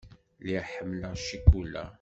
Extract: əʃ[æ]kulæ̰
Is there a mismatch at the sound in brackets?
yes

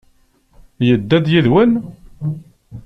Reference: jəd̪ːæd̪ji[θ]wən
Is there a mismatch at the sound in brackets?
yes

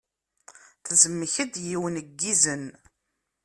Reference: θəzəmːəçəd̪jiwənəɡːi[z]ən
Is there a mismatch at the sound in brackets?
no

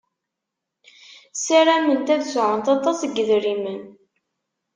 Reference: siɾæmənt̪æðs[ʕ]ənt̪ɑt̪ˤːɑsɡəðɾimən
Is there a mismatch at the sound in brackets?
no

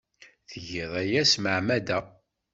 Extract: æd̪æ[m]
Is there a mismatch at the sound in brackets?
yes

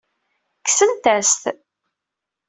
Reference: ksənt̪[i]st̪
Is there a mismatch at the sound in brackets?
yes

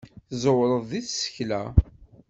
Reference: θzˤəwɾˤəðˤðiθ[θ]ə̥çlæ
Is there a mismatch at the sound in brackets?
yes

